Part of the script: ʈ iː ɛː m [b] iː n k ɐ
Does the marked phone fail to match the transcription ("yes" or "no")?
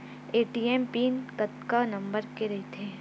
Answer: yes